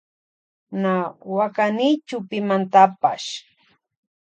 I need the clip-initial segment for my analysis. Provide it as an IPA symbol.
n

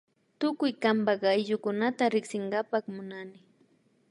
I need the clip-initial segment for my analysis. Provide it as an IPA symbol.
t̪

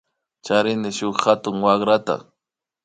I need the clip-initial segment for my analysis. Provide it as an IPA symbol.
t͡ʃ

